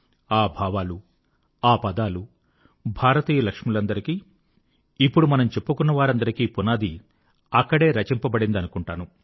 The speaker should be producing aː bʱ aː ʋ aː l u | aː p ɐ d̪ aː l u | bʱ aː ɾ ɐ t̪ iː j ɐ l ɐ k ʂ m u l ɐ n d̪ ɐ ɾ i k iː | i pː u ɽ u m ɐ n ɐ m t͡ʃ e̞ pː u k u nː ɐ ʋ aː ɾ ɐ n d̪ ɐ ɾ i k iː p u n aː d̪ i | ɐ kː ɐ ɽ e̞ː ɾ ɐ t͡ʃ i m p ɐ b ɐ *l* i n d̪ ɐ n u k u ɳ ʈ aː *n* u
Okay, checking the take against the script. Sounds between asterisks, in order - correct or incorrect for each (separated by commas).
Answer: incorrect, correct